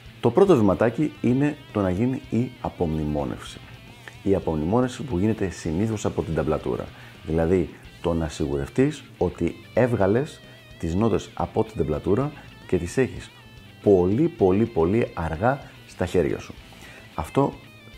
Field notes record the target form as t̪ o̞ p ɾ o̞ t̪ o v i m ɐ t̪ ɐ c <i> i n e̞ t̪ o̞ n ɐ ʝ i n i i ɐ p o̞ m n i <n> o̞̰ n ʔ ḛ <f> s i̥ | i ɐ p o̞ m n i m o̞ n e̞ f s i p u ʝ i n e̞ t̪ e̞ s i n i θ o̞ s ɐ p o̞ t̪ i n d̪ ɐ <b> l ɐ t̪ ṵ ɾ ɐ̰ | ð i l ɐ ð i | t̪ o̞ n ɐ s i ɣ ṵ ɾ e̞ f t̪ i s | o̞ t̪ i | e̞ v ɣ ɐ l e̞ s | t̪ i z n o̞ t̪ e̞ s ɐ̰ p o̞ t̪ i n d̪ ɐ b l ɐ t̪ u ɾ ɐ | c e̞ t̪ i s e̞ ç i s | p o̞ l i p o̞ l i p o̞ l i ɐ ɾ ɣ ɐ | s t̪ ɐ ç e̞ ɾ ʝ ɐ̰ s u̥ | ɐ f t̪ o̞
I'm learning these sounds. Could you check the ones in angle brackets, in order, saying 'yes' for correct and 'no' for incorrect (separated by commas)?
yes, no, yes, yes